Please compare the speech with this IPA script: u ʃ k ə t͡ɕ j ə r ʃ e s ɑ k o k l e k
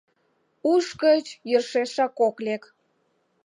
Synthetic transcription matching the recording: u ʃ k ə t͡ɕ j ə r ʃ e ʃ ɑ k o k l e k